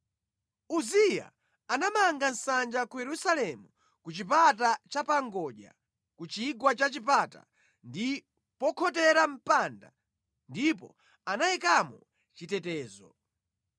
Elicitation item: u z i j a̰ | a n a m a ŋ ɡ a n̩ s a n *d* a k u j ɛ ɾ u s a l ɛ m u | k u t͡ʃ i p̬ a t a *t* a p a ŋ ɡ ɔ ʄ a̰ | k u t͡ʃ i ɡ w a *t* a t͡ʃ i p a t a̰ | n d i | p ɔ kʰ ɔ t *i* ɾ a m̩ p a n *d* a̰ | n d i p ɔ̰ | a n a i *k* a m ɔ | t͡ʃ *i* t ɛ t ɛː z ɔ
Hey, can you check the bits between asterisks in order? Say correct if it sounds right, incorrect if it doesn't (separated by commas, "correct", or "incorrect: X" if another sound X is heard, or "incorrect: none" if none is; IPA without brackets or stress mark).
incorrect: d͡ʒ, incorrect: t͡ʃ, incorrect: t͡ʃ, incorrect: ɛ, correct, correct, correct